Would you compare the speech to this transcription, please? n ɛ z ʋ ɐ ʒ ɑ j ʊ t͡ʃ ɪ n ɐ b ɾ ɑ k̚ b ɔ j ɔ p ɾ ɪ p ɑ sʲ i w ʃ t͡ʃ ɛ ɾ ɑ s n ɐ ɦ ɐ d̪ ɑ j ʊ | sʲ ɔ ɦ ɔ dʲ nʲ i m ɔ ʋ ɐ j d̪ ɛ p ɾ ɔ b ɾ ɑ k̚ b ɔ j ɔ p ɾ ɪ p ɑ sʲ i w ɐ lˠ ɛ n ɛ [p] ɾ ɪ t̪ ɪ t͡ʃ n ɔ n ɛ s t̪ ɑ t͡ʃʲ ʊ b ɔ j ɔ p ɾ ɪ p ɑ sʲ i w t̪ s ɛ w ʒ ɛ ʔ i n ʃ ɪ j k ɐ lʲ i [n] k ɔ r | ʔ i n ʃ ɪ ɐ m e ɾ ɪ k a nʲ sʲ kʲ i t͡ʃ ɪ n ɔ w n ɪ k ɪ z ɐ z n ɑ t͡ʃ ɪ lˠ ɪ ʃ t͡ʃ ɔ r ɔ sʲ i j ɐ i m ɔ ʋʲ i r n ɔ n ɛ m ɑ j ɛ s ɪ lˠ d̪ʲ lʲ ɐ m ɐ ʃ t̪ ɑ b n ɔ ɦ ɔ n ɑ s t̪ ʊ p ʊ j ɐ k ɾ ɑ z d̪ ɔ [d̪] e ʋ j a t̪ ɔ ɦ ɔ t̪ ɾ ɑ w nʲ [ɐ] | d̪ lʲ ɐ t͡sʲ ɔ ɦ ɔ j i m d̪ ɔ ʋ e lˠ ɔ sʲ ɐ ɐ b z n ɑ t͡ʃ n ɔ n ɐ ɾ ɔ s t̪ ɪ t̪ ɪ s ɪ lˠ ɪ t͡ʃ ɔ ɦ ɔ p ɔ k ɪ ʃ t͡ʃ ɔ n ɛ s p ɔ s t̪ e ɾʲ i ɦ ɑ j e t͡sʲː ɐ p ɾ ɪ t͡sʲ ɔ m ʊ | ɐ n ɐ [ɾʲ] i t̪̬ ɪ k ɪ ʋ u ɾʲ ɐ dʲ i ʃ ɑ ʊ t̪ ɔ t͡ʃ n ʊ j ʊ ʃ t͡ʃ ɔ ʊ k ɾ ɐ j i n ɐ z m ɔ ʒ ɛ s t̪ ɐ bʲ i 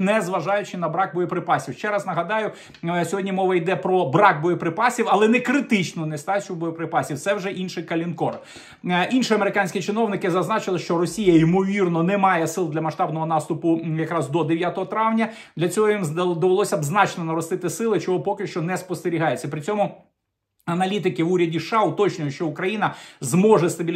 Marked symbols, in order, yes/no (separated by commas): no, yes, yes, yes, no